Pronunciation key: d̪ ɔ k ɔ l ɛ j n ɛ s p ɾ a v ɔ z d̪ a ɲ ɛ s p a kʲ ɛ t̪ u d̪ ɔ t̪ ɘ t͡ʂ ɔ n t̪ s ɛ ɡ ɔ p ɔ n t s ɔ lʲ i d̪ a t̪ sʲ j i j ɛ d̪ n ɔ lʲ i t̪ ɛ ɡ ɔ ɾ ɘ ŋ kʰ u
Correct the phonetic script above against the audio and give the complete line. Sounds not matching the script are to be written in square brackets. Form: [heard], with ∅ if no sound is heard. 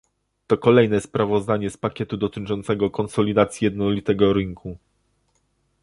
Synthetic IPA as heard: [t̪] ɔ k ɔ l ɛ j n ɛ s p ɾ a v ɔ z d̪ a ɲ ɛ s p a kʲ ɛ t̪ u d̪ ɔ t̪ ɘ t͡ʂ ɔ n t̪ s ɛ ɡ ɔ [k] ɔ n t s ɔ lʲ i d̪ a t̪ sʲ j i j ɛ d̪ n ɔ lʲ i t̪ ɛ ɡ ɔ ɾ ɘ ŋ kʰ u